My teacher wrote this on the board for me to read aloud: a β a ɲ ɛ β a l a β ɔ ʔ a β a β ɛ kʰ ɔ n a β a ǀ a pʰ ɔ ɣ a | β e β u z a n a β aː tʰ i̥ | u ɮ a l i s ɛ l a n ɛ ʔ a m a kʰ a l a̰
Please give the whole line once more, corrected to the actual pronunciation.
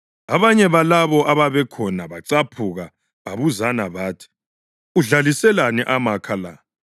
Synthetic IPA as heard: a β a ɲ ɛ β a l a β ɔ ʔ a β a β ɛ kʰ ɔ n a β a ǀ a pʰ u ɣ a | β a β u z a n a β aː tʰ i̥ | u ɮ a l i s ɛ l a n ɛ ʔ a m a kʰ a l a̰